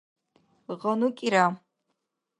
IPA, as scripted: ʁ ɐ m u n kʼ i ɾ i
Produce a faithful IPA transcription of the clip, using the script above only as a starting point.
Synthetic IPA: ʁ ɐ n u kʼ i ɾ a